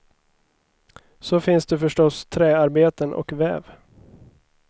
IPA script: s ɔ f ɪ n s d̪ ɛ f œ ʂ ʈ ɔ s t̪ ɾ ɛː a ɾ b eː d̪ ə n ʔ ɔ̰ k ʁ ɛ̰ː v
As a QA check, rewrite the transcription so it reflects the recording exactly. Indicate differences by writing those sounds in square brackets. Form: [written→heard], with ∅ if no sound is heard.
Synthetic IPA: s ɔ f ɪ n s d̪ ɛ f œ ʂ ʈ ɔ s [t̪→t̪ʰ] ɾ ɛː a ɾ b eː [d̪→t̪] ə n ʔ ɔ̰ k [ʁ→v] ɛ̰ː v